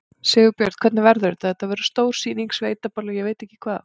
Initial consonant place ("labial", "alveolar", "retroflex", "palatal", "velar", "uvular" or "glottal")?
alveolar